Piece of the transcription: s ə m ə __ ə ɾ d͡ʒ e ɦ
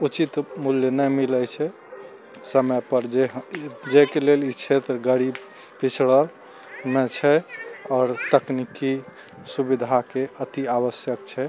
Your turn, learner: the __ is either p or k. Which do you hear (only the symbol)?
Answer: p